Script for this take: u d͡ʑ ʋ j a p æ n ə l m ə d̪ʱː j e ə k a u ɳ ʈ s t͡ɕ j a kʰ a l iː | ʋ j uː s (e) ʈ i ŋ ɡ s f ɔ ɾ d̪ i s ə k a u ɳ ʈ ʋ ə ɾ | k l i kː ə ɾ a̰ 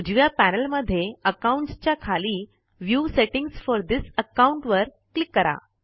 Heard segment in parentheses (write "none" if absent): e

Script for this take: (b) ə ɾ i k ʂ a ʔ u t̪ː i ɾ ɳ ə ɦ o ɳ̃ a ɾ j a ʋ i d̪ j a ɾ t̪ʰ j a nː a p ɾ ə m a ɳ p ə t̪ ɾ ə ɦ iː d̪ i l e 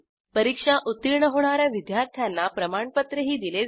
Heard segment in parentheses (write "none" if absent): p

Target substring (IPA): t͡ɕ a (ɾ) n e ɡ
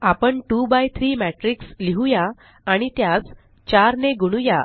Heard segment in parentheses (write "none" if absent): ɾ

